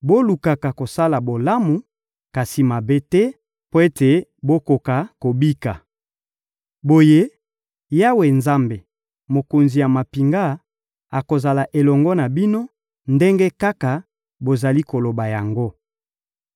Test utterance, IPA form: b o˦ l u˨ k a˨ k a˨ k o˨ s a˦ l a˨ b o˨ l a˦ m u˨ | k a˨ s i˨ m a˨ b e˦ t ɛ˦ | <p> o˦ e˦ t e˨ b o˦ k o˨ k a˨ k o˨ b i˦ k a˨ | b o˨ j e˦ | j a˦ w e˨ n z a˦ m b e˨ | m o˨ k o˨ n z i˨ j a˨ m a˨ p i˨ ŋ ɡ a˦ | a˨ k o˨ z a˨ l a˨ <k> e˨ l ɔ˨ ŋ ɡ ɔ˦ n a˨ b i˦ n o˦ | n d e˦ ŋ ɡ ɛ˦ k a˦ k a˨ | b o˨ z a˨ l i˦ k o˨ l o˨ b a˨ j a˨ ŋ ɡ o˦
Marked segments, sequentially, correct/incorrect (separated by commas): correct, incorrect